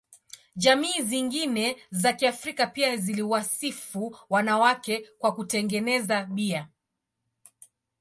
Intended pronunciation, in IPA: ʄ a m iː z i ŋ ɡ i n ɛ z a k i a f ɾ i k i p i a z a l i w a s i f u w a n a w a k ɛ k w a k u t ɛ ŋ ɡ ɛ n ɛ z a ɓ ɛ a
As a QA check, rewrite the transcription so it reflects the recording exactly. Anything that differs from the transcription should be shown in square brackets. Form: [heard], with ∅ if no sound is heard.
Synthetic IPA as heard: ʄ a m iː z i ŋ ɡ i n ɛ z a k i a f ɾ i k [a] p i a z [i] l i w a s i f u w a n a w a k ɛ k w a k u t ɛ ŋ ɡ ɛ n ɛ z a ɓ [i] a